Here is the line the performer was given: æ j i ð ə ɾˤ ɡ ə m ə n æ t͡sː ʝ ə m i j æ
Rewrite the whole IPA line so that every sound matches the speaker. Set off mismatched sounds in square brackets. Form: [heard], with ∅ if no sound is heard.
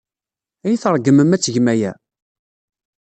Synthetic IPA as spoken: æ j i [θ] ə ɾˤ ɡ ə m ə [m] æ t͡sː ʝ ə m [æ] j æ